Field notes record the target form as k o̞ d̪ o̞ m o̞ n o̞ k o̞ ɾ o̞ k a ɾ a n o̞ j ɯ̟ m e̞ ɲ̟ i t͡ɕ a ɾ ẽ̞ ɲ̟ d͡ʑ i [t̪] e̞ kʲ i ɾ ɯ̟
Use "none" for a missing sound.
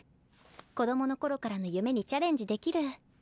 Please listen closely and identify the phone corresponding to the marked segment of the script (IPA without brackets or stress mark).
d̪